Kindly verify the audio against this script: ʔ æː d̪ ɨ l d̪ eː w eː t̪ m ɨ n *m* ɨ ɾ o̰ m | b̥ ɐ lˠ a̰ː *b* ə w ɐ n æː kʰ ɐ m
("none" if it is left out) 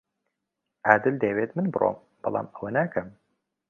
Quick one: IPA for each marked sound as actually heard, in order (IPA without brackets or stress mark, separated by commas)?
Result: b, m